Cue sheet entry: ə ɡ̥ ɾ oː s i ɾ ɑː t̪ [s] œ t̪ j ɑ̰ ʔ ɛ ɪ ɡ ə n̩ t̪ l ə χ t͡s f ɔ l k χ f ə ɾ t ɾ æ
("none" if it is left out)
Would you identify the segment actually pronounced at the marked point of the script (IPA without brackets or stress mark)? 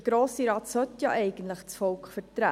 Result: s